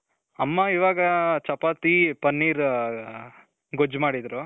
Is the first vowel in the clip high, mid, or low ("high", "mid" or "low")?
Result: low